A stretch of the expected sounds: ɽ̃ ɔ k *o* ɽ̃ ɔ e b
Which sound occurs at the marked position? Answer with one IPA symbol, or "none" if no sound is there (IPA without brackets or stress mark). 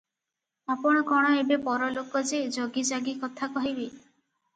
ɔ